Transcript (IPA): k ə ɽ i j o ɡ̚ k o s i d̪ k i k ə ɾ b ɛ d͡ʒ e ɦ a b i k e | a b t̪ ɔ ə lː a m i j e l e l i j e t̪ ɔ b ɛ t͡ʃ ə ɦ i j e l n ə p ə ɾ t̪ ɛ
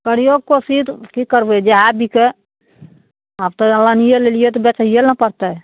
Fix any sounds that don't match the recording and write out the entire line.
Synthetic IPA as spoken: k ə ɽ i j o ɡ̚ k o s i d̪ k i k ə ɾ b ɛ d͡ʒ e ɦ a b i k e | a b t̪ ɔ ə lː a n i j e l e l i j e t̪ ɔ b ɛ t͡ʃ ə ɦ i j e l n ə p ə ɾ t̪ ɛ

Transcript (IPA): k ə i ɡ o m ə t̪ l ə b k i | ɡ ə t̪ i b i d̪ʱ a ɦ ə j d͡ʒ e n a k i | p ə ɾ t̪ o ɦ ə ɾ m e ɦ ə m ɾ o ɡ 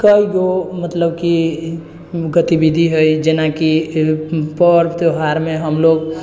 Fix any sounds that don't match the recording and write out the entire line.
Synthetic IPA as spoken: k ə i ɡ o m ə t̪ l ə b k i | ɡ ə t̪ i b i d̪ʱ i ɦ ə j d͡ʒ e n a k i | p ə ɾ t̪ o ɦ a ɾ m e ɦ ə m l o ɡ

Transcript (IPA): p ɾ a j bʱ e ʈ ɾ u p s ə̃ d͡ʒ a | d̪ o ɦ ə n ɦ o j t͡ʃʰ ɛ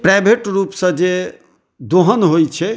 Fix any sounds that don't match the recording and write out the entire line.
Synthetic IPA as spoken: p ɾ a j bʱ e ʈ ɾ u p s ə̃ d͡ʒ e | d̪ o ɦ ə n ɦ o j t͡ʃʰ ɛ

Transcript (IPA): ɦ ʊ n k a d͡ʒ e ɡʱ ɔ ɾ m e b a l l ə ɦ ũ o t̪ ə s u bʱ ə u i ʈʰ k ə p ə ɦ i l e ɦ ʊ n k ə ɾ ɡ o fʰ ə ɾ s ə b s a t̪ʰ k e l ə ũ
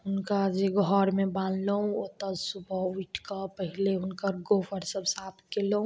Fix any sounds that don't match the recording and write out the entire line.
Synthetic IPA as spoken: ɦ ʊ n k a d͡ʒ e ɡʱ ɔ ɾ m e b a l l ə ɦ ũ o t̪ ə s u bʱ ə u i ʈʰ k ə p ə ɦ i l e ɦ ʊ n k ə ɾ ɡ o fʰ ə ɾ s ə b s a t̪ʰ k e l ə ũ

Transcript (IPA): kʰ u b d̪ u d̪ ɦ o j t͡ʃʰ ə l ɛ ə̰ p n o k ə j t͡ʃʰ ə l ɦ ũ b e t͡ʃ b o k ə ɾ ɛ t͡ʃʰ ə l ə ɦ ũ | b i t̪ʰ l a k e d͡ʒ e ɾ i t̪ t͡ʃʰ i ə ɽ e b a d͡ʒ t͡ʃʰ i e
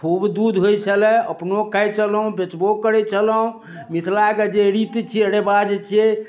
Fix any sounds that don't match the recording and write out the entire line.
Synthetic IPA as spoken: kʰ u b d̪ u d̪ ɦ o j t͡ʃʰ ə l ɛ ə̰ p n o k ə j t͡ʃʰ ə l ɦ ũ b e t͡ʃ b o k ə ɾ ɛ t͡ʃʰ ə l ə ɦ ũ | m i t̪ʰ l a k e d͡ʒ e ɾ i t̪ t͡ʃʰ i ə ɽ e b a d͡ʒ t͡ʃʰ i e

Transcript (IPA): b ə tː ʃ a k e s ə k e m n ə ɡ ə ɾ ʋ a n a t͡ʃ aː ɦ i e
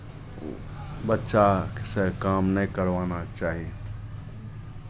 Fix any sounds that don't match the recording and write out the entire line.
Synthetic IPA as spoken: b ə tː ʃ a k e s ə k a m n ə k ə ɾ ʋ a n a t͡ʃ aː ɦ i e

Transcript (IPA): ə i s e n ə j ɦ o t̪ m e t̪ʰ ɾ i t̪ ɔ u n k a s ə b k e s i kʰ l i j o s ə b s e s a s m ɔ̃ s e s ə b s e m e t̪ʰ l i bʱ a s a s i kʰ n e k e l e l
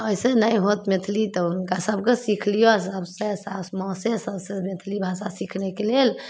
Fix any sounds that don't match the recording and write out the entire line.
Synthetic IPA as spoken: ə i s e n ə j ɦ o t̪ m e t̪ʰ l i t̪ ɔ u n k a s ə b k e s i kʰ l i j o s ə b s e s a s m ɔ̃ s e s ə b s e m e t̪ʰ l i bʱ a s a s i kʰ n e k e l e l

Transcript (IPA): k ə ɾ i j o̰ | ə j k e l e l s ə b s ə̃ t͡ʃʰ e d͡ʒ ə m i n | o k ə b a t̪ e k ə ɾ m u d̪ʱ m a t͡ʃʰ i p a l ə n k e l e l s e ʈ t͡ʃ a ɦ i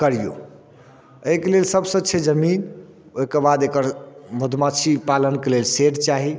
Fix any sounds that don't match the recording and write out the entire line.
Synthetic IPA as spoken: k ə ɾ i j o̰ | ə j k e l e l s ə b s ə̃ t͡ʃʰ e d͡ʒ ə m i n | o k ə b a d̪ e k ə ɾ m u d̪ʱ m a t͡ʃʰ i p a l ə n k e l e l s e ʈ t͡ʃ a ɦ i

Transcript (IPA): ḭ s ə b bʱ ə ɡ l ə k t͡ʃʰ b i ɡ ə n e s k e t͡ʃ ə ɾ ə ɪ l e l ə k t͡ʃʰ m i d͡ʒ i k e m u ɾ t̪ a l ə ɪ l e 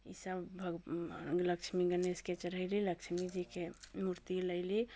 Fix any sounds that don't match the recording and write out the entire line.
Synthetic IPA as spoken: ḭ s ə b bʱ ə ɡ l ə k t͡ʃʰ m i ɡ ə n e s k e t͡ʃ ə ɾ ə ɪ l i l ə k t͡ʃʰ m i d͡ʒ i k e m u ɾ t̪ i l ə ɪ l i

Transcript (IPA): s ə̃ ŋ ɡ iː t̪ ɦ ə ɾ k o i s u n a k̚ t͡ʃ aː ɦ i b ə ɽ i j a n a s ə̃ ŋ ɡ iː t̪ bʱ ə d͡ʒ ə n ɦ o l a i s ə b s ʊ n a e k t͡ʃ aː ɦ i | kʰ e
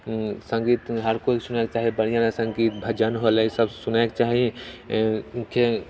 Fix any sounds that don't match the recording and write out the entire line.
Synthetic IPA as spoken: s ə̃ ŋ ɡ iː t̪ ɦ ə ɾ k o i s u n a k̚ t͡ʃ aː ɦ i b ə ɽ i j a n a s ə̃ ŋ ɡ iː t̪ bʱ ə d͡ʒ ə n ɦ o l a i s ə b s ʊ n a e k t͡ʃ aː ɦ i | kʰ e

